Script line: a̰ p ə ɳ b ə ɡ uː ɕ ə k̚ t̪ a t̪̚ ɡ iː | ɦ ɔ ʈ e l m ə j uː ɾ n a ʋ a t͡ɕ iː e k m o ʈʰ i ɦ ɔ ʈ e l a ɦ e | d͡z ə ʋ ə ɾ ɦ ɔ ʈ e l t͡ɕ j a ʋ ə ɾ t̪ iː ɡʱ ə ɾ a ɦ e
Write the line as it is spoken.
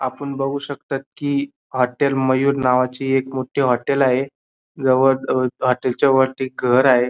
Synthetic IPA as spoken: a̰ p ə ɳ b ə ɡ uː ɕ ə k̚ t̪ a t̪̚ k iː | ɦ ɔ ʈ e l m ə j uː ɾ n a ʋ a t͡ɕ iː e k m o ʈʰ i ɦ ɔ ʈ e l a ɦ e | d͡z ə ʋ ə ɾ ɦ ɔ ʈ e l t͡ɕ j a ʋ ə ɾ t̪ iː ɡʱ ə ɾ a ɦ e